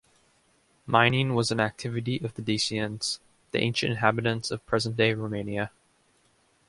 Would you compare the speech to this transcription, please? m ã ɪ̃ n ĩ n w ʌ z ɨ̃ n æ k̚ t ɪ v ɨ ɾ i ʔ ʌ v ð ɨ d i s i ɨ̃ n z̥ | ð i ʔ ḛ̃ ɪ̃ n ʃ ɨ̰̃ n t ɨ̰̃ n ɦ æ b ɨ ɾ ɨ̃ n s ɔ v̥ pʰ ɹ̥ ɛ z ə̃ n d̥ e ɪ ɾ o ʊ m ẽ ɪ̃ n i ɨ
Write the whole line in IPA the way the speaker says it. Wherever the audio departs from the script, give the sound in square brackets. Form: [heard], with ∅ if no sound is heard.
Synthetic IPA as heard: m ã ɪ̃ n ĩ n w ʌ z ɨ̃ n æ k̚ [tʰ] ɪ v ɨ ɾ i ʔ ʌ v ð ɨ d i s i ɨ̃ n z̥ | ð i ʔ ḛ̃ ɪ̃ n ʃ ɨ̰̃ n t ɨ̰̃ n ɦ æ b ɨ ɾ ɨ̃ n s [ʌ] v̥ pʰ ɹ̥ ɛ z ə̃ n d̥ e ɪ [ɹ] o ʊ m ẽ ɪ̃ n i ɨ